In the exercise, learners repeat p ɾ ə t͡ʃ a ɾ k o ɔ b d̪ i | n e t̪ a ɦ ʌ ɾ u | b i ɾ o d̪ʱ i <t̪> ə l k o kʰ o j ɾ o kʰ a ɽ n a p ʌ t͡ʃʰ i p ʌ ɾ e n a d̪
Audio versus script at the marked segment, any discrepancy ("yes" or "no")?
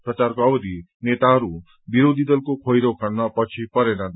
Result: yes